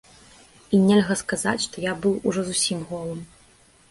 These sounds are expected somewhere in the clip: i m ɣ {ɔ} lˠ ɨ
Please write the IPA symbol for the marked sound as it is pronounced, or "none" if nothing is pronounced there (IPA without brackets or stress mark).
ɔ